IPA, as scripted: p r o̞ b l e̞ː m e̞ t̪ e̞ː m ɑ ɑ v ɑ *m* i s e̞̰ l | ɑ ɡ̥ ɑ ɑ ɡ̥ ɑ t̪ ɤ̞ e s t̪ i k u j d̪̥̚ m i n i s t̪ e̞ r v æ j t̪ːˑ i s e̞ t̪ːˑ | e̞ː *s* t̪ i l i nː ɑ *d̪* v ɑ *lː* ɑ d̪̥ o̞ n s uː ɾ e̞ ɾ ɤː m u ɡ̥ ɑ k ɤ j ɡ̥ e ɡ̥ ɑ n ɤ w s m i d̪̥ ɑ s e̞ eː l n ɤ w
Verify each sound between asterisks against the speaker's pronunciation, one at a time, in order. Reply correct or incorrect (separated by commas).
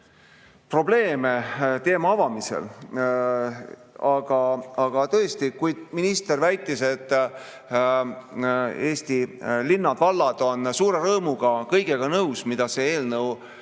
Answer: correct, correct, correct, correct